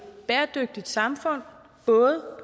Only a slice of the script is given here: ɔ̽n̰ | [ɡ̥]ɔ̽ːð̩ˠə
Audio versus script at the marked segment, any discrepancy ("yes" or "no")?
yes